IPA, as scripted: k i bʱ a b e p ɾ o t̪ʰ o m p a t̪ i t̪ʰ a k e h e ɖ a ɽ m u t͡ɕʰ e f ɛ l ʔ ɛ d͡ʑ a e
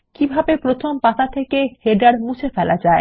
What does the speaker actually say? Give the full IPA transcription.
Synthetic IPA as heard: k i bʱ a b e p ɾ o t̪ʰ o m p a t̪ a t̪ʰ e k e h e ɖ a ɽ m u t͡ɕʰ e f ɛ l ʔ a d͡ʑ a e